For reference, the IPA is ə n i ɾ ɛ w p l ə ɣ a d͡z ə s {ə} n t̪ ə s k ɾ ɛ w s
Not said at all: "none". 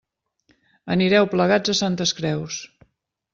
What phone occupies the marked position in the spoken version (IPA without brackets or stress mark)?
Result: a